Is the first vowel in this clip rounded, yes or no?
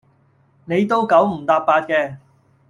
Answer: no